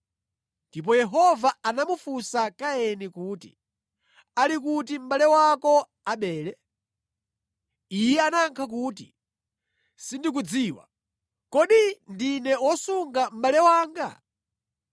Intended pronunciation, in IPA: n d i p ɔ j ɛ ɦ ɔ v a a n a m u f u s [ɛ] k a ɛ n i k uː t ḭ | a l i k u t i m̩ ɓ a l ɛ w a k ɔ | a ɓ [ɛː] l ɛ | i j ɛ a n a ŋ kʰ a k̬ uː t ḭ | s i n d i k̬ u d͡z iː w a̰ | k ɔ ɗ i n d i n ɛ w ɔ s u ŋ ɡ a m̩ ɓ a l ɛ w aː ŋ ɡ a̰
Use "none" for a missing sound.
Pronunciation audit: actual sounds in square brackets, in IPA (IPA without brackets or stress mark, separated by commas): a, ɛː